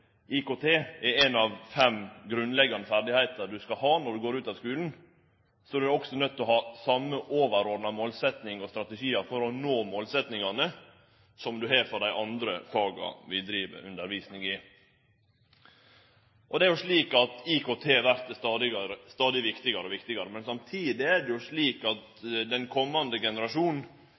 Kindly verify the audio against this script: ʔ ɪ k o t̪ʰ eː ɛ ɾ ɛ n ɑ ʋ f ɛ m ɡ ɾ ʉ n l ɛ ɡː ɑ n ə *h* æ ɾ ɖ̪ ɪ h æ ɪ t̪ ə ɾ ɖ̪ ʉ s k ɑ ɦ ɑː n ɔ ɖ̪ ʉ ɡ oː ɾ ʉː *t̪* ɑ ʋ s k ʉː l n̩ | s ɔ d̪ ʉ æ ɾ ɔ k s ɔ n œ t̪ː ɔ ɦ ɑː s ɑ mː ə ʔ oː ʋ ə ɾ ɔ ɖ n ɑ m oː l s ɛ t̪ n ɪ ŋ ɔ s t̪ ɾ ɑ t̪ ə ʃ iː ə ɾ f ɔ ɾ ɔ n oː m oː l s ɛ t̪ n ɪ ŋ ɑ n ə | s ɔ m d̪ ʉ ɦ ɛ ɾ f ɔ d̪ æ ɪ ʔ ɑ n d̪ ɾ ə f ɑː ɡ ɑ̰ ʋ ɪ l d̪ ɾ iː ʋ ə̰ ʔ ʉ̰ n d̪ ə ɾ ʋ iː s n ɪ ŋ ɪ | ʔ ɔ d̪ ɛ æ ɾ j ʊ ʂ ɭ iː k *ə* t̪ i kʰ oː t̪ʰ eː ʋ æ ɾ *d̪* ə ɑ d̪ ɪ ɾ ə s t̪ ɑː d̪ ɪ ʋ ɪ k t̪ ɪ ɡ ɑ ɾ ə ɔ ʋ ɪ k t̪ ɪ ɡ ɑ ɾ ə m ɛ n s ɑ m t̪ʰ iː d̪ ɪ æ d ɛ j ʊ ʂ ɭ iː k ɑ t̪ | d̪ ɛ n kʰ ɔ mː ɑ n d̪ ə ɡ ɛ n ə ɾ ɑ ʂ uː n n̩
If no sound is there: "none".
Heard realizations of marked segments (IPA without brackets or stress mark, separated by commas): f, t̪, ɑ, t̪